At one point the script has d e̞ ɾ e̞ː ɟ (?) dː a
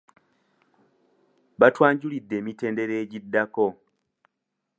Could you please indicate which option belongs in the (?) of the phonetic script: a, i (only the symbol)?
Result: i